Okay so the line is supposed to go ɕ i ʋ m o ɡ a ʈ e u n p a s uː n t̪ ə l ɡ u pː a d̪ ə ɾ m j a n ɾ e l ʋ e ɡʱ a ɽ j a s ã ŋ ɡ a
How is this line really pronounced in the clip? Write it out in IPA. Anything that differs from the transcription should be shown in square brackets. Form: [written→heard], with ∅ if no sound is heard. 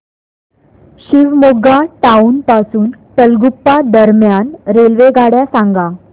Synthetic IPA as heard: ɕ i ʋ m o ɡ a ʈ [e→a] u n p a s uː n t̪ ə l ɡ u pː a d̪ ə ɾ m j a n ɾ e l ʋ e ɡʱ a ɽ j a s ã ŋ ɡ a